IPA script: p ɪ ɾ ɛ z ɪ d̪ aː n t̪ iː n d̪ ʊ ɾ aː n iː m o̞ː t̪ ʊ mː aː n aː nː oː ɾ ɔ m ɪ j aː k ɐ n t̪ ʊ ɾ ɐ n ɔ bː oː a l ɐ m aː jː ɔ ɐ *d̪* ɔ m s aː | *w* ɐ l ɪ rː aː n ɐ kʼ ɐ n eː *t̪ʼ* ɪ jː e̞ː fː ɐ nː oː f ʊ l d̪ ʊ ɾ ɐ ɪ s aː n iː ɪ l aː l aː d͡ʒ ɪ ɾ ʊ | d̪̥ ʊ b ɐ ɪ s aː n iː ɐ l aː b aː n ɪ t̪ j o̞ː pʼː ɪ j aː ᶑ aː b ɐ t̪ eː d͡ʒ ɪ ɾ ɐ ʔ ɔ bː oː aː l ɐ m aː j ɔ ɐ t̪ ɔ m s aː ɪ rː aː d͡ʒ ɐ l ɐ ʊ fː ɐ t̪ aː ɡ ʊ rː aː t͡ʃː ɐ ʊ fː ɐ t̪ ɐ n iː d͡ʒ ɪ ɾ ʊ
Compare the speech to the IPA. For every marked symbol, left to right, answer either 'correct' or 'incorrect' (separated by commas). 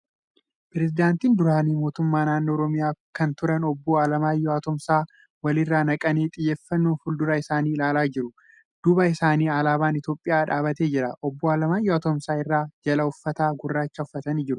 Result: incorrect, correct, correct